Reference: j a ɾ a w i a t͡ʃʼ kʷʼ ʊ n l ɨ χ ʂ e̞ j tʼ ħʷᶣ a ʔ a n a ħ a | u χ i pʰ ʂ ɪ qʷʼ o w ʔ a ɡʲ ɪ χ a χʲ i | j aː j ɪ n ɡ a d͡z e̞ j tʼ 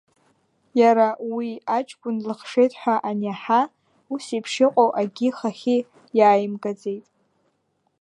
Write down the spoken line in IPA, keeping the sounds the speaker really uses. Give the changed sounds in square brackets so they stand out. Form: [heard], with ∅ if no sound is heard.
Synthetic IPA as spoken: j a ɾ a w i a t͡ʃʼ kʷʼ ʊ n l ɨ χ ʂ e̞ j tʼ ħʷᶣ a ʔ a n a ħ a | u [s] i pʰ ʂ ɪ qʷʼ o w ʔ a ɡʲ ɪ χ a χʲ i | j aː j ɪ [m] ɡ a d͡z e̞ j tʼ